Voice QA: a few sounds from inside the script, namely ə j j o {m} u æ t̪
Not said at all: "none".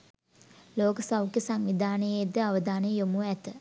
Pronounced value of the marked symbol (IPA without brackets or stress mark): m